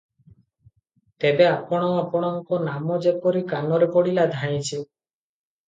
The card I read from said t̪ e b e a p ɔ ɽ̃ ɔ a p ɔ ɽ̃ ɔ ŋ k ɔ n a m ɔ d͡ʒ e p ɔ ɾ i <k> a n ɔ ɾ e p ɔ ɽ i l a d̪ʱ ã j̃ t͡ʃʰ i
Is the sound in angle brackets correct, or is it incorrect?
correct